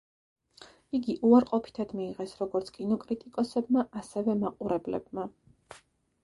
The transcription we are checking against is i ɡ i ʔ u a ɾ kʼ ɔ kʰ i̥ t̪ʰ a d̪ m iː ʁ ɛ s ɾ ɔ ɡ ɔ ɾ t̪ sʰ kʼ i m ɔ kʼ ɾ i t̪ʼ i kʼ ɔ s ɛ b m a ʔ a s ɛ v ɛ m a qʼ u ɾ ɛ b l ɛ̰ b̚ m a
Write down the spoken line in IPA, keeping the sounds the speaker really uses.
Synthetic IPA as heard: i ɡ i ʔ u a ɾ qʼ ɔ pʰ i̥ t̪ʰ a d̪ m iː ʁ ɛ s ɾ ɔ ɡ ɔ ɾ t̪ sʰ kʼ i n ɔ kʼ ɾ i t̪ʼ i kʼ ɔ s ɛ b m a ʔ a s ɛ v ɛ m a qʼ u ɾ ɛ b l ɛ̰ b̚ m a